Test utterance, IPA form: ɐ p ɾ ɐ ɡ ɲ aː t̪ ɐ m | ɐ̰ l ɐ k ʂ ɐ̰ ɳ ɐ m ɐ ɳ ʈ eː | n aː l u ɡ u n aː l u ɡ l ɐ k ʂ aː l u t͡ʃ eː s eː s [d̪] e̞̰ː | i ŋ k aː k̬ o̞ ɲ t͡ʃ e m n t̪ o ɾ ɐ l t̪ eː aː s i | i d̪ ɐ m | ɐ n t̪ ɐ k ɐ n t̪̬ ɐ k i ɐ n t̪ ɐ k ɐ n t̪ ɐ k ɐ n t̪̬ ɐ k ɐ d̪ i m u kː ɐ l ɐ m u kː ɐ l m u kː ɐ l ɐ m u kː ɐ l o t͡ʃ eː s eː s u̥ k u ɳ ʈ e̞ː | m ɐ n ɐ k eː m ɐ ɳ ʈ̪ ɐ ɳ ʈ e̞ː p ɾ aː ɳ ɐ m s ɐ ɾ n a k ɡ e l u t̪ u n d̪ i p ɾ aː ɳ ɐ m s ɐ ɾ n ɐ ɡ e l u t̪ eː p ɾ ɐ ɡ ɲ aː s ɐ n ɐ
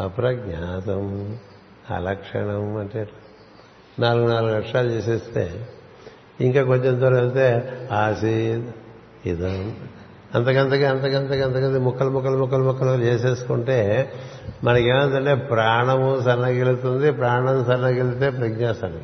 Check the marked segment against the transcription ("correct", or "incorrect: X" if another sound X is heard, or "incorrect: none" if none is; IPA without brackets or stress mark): incorrect: t̪